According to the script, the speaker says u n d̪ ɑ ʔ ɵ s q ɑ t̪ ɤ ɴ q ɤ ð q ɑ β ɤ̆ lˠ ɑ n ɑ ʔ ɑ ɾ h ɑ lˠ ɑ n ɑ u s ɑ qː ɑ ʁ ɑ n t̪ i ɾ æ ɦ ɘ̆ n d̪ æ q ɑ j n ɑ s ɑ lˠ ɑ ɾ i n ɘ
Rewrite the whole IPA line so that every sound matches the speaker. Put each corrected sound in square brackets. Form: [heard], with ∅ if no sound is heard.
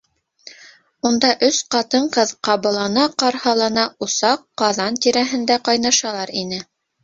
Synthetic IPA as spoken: u n d̪ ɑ ʔ ɵ s q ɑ t̪ ɤ ɴ q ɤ ð q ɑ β ɤ̆ lˠ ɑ n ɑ [q] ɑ ɾ h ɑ lˠ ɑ n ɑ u s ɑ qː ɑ [ð] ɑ n t̪ i ɾ æ ɦ ɘ̆ n d̪ æ q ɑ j n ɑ [ʃ] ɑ lˠ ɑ ɾ i n ɘ

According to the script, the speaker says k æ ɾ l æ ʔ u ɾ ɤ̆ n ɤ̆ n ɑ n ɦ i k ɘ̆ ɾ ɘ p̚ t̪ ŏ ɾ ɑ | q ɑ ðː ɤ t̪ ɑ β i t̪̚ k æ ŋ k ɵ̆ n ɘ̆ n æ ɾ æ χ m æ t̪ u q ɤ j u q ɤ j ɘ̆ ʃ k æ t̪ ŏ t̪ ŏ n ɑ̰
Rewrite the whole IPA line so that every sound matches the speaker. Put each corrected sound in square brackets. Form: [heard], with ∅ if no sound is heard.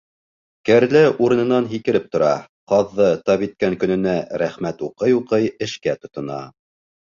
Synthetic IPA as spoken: k æ ɾ l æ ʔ u ɾ ɤ̆ n ɤ̆ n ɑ n ɦ i k ɘ̆ ɾ ɘ p̚ t̪ ŏ ɾ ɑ | q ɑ ðː ɤ t̪ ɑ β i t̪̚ k æ ŋ k ɵ̆ n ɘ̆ n æ ɾ æ χ m æ t̪ u q ɤ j u q ɤ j ɘ̆ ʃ k æ t̪ ŏ t̪ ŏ n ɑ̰

